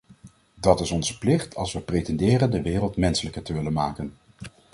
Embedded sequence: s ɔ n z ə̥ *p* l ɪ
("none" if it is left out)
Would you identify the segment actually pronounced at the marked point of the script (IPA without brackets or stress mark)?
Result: p